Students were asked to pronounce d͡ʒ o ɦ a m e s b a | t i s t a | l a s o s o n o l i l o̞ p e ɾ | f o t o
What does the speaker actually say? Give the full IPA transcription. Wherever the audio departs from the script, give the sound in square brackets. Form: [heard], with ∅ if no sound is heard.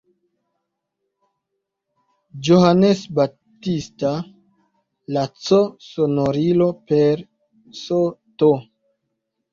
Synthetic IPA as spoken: d͡ʒ o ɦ a [n] e s b a | t i s t a | l a [t͡s] o s o n o [ɾ] i l o̞ p e ɾ | [s] o t o